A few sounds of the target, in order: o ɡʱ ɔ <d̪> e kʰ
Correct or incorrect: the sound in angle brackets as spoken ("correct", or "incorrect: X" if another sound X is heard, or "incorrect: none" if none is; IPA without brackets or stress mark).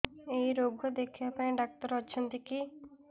correct